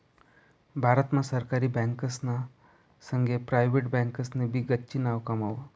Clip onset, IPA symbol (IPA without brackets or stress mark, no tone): bʱ